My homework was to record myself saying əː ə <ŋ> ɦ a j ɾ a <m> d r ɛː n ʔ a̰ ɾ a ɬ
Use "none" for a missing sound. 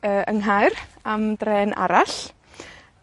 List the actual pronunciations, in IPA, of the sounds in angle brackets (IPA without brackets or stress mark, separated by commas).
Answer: ŋ, m